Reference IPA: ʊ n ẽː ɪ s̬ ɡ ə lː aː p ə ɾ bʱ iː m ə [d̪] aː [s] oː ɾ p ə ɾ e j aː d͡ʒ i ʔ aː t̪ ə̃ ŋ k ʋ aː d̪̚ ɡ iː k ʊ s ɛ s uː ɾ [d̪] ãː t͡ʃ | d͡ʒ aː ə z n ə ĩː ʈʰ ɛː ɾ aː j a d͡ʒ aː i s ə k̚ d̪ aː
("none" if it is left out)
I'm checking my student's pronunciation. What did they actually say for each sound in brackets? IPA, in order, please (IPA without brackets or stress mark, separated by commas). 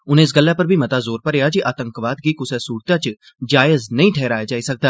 t̪, z, t̪